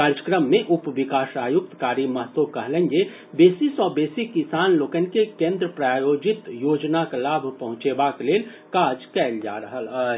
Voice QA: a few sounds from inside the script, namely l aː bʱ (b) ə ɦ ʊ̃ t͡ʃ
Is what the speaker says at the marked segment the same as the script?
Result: no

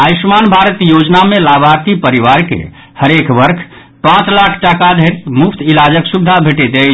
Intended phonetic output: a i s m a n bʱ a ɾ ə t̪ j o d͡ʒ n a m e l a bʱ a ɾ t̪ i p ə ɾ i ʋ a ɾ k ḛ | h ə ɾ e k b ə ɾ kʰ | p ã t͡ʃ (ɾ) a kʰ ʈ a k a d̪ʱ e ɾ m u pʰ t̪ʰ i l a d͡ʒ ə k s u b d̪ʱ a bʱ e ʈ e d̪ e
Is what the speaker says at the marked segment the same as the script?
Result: no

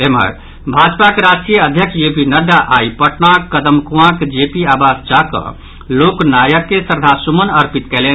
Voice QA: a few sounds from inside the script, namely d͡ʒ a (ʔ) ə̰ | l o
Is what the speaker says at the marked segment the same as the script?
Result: no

